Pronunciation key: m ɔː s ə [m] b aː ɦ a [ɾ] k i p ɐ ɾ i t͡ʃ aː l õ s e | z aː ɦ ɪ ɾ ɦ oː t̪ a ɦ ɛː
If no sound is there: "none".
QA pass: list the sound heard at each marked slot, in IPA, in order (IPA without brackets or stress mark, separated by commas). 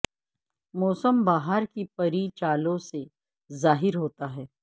m, ɾ